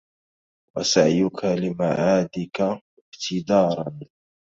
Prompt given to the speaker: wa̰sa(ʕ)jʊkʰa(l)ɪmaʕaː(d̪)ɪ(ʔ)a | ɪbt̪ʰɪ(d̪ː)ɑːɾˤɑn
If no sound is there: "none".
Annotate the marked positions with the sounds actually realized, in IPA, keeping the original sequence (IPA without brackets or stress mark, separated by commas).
ʕ, l, d̪, k, d̪